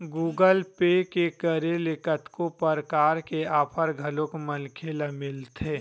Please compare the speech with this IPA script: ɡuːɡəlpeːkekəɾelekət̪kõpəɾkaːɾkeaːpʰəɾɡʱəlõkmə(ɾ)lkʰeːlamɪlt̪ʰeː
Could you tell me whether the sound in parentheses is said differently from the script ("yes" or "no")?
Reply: yes